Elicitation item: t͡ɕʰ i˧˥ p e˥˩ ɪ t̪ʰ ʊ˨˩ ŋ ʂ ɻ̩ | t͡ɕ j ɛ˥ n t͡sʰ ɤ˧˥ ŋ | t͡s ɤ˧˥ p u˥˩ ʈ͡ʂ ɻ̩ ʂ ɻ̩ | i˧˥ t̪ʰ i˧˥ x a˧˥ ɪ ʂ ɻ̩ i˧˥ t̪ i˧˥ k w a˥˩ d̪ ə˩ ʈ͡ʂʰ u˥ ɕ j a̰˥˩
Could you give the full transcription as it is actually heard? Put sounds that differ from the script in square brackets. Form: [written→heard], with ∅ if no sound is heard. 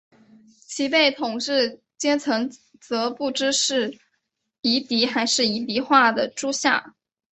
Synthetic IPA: t͡ɕʰ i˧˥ p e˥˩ ɪ t̪ʰ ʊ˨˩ ŋ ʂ ɻ̩ | t͡ɕ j ɛ˥ n t͡sʰ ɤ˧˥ ŋ | t͡s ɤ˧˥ p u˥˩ ʈ͡ʂ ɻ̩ ʂ ɻ̩ | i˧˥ [t̪ʰ→t̪] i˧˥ x a˧˥ ɪ ʂ ɻ̩ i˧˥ t̪ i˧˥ [k→x] w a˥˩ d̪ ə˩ [ʈ͡ʂʰ→ʈ͡ʂ] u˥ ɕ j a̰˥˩